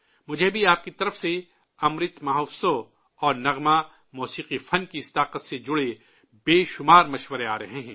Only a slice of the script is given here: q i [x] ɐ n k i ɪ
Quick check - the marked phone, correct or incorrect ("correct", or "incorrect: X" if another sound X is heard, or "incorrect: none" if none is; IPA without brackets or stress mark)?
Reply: incorrect: f